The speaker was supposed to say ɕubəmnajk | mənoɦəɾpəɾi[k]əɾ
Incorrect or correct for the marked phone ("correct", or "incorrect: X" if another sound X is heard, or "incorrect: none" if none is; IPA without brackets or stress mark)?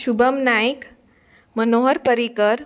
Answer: correct